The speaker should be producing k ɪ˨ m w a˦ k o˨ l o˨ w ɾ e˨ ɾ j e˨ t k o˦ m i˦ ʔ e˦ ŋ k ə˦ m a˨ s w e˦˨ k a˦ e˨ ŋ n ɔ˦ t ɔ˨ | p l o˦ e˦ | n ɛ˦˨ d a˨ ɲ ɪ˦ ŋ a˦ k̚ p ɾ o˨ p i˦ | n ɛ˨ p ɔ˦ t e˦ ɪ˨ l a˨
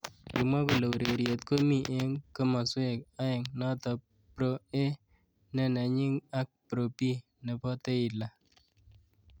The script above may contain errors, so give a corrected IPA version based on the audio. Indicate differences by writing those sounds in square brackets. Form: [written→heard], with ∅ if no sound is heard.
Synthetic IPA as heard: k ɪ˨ m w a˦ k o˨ l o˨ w ɾ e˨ ɾ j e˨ t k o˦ m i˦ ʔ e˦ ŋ k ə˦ m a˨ s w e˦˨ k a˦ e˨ ŋ n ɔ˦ t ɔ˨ | p [l→ɾ] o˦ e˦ | n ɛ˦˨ [d→n] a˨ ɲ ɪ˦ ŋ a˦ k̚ p ɾ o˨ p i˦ | n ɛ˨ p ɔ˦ t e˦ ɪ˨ l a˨